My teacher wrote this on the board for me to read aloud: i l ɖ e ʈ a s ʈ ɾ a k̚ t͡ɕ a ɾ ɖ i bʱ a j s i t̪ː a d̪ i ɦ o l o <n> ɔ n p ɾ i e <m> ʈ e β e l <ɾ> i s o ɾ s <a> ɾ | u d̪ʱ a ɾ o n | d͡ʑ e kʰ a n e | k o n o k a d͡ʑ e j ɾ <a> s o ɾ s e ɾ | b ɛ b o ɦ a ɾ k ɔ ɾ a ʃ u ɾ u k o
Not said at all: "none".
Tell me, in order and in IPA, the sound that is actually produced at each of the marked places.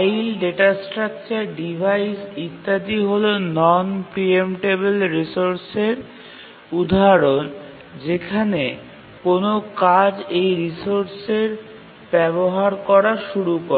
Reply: n, m, ɾ, e, i

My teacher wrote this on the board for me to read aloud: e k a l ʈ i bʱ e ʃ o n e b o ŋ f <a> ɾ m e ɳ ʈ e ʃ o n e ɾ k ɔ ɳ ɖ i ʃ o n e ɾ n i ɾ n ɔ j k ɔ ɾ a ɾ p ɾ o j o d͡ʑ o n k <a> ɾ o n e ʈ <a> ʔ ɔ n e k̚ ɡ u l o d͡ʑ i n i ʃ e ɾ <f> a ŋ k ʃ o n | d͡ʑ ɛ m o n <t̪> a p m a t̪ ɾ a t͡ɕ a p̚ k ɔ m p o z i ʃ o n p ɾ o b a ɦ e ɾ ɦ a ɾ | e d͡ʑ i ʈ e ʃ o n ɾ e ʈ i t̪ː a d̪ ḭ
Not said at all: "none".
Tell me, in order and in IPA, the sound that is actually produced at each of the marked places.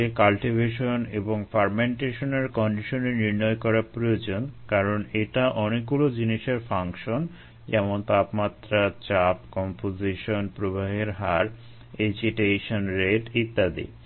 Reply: a, a, a, f, t̪

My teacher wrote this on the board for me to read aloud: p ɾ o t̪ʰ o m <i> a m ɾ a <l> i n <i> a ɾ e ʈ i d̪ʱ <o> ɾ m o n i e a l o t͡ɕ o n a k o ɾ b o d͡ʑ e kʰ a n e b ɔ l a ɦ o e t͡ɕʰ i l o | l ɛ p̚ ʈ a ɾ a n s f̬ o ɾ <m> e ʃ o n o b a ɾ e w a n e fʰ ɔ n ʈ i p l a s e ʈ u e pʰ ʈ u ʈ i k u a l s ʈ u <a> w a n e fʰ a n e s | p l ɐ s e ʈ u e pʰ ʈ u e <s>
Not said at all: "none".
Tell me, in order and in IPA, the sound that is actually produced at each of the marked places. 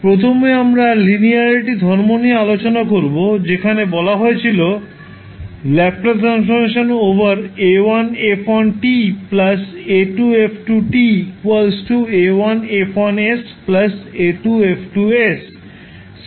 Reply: e, l, i, ɔ, m, e, s

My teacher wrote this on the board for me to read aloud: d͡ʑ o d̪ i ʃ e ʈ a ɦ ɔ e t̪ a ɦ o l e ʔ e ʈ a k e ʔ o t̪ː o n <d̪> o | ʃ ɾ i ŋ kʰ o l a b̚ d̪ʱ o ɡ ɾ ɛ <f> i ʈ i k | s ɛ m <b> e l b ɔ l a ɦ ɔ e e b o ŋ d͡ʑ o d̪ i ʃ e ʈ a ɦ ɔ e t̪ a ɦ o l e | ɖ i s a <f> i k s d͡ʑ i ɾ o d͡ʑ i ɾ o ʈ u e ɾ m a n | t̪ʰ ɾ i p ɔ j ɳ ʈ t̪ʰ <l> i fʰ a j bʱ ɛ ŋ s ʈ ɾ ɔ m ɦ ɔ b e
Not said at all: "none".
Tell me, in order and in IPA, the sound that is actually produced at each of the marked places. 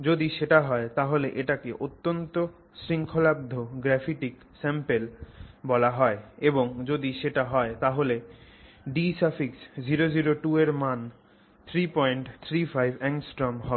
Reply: t̪, f, p, f, ɾ

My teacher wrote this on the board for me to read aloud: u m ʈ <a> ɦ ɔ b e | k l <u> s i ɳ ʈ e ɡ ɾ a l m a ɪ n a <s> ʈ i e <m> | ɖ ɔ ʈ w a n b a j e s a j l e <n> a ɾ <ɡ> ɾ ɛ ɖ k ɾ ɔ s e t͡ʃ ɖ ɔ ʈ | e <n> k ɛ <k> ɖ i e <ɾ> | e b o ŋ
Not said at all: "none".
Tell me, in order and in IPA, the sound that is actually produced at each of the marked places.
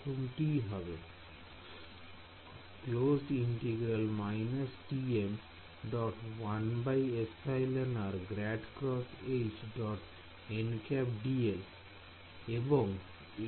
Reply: i, o, s, m, n, ɡ, n, p, l

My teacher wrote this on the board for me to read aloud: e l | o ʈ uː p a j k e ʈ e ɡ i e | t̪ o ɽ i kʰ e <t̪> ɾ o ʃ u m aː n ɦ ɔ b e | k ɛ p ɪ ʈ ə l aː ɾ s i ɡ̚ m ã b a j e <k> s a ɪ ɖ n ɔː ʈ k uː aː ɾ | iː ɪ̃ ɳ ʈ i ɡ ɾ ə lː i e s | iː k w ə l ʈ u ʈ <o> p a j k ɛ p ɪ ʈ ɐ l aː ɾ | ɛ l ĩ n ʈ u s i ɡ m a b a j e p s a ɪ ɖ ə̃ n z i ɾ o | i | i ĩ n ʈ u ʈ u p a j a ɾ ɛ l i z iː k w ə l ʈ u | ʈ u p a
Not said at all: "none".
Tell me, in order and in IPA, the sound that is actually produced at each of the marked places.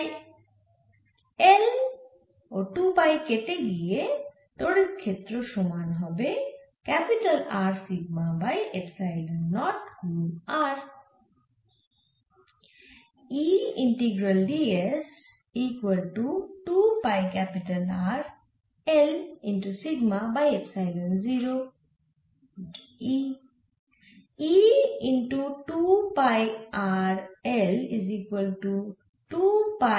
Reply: t̪, p, u

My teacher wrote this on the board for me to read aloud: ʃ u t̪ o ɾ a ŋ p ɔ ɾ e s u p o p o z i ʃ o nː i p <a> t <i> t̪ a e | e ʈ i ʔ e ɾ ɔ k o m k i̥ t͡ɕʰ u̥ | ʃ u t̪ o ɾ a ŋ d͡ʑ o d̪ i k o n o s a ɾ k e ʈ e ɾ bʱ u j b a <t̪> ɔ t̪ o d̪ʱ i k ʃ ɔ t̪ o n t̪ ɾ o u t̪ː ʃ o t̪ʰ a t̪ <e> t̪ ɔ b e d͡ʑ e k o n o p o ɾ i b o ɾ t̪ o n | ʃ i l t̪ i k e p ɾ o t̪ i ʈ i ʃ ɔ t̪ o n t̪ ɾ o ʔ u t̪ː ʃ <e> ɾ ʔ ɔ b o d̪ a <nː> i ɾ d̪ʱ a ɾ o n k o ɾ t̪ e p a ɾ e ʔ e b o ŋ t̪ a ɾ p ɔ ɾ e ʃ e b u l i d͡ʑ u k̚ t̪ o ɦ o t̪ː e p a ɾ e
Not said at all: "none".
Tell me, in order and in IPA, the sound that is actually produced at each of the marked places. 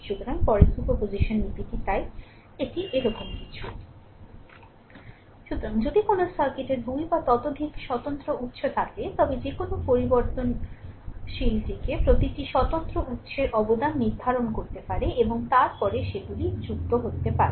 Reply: i, i, t̪, e, e, nː

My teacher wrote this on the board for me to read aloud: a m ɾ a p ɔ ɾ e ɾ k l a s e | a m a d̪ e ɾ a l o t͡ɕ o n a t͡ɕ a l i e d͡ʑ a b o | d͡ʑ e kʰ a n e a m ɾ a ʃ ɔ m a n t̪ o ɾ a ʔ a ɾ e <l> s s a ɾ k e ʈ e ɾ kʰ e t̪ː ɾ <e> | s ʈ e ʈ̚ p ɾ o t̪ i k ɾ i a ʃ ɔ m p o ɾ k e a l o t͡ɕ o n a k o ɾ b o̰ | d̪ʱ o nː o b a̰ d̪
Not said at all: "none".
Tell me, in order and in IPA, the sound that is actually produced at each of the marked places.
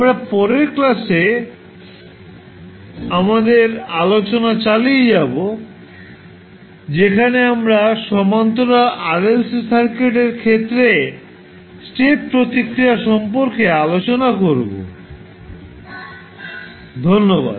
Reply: l, e

